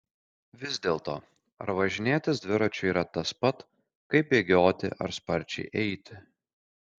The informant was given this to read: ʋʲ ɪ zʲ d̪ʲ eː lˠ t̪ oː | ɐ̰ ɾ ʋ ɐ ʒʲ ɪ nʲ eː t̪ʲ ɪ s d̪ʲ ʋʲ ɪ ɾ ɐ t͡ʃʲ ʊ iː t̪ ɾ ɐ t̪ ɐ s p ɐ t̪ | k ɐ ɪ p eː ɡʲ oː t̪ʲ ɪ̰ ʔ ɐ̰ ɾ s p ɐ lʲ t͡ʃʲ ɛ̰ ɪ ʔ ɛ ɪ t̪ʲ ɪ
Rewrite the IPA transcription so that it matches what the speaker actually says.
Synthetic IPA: ʋʲ ɪ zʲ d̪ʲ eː lˠ t̪ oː | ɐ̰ ɾ ʋ ɐ ʒʲ ɪ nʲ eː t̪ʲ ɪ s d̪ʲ ʋʲ ɪ ɾ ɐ t͡ʃʲ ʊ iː ɾ ɐ t̪ ɐ s p ɐ t̪ | k ɐ ɪ p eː ɡʲ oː t̪ʲ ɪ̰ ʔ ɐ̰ ɾ s p ɐ ɾʲ t͡ʃʲ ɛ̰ ɪ ʔ ɛ ɪ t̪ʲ ɪ